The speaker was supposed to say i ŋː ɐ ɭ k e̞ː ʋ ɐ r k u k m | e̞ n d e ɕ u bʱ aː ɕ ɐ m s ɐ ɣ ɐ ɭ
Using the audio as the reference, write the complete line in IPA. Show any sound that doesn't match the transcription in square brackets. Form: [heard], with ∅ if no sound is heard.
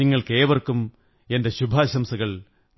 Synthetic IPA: i ŋː ɐ ɭ k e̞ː ʋ ɐ r k u [∅] m | e̞ n d e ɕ u bʱ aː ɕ ɐ m s ɐ ɣ ɐ ɭ